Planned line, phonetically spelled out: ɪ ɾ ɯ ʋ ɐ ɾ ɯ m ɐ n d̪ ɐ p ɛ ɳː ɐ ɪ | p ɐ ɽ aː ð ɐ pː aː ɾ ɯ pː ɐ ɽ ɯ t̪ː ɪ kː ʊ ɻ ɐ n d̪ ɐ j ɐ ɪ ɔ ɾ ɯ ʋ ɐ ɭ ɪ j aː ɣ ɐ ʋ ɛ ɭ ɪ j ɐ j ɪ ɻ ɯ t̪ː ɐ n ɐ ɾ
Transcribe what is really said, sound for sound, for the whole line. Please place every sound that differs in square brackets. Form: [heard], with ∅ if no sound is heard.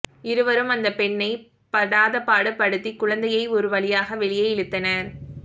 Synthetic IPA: ɪ ɾ ɯ ʋ ɐ ɾ ɯ m ɐ n d̪ ɐ p ɛ ɳː ɐ ɪ | p ɐ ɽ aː ð ɐ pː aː [ɽ] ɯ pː ɐ ɽ ɯ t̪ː [i] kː ʊ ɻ ɐ n d̪ ɐ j ɐ ɪ ɔ ɾ ɯ ʋ ɐ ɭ ɪ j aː ɣ ɐ ʋ ɛ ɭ ɪ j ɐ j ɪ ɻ ɯ t̪ː ɐ n ɐ ɾ